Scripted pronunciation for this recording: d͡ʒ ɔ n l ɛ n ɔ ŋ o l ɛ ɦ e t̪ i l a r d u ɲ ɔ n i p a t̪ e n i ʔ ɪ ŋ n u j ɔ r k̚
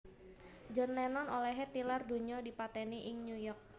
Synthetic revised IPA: d͡ʒ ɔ n l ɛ n ɔ n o l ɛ ɦ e t̪ i l a r d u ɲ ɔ d i p a t̪ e n i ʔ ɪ ŋ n u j ɔ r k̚